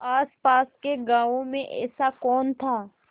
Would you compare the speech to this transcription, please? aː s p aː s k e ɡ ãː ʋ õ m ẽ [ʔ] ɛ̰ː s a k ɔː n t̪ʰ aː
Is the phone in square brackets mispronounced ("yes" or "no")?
no